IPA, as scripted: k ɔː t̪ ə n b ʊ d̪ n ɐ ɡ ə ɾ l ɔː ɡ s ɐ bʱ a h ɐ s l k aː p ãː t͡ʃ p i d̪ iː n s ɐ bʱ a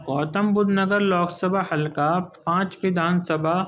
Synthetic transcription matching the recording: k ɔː t̪ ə m b ʊ d̪ n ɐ ɡ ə ɾ l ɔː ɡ s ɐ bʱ a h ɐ l k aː p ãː t͡ʃ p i d̪ aː n s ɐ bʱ a